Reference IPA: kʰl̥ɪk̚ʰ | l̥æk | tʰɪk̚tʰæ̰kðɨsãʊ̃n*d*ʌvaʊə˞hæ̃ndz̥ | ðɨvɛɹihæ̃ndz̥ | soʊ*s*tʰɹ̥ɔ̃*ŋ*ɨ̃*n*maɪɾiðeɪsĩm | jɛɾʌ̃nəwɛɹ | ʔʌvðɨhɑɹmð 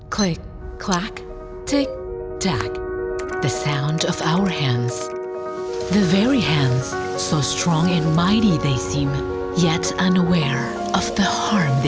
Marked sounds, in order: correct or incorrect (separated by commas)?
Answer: correct, correct, correct, correct